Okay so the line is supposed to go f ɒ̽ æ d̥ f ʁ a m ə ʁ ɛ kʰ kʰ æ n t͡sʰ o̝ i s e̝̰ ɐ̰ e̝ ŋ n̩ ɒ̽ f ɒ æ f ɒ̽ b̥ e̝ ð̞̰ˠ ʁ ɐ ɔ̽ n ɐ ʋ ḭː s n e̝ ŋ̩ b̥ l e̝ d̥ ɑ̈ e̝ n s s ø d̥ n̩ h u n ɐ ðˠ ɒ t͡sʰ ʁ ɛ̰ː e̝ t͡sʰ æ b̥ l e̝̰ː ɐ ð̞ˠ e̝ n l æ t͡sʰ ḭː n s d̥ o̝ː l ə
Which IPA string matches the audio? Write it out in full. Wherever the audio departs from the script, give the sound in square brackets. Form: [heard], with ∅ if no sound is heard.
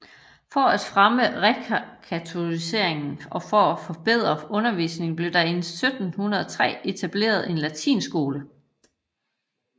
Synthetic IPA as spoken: f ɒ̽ æ d̥ f ʁ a m ə ʁ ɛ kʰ kʰ æ [∅] t͡sʰ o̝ i s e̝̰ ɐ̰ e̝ ŋ n̩ ɒ̽ f ɒ æ f ɒ̽ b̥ e̝ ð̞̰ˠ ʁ ɐ ɔ̽ n ɐ ʋ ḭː s n e̝ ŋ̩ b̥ l e̝ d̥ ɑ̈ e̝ n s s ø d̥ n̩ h u n ɐ ðˠ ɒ t͡sʰ ʁ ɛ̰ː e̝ t͡sʰ æ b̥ l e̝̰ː ɐ ð̞ˠ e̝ n l æ t͡sʰ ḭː n s [ɡ̥] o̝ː l ə